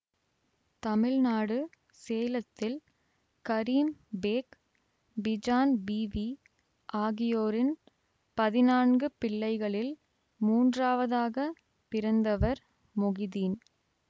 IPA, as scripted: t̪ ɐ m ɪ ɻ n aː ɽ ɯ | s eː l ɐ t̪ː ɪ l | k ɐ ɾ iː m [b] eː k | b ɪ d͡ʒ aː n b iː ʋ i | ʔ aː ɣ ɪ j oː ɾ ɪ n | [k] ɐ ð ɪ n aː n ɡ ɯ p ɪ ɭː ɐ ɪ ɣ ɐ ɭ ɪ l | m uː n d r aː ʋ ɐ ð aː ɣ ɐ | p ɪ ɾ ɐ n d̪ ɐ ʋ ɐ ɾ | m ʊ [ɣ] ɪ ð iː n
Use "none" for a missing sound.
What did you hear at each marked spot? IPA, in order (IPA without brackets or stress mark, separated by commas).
b, p, ɣ